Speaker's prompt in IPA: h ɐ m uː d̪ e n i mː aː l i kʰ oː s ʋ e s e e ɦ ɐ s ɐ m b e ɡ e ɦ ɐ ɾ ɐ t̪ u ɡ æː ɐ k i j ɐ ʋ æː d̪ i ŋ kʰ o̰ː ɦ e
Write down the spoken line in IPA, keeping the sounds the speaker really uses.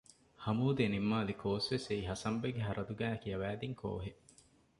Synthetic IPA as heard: h ɐ m uː d̪ e n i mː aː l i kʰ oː s ʋ e s e i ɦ ɐ s ɐ m b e ɡ e ɦ ɐ ɾ ɐ d̪ u ɡ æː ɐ k i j ɐ ʋ æː d̪ i ŋ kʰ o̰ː ɦ e